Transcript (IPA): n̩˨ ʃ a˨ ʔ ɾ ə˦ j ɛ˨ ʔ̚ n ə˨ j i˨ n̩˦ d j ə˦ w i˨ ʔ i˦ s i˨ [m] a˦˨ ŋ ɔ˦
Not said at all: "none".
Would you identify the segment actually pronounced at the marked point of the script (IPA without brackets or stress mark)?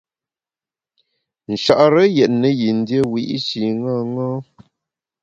ŋ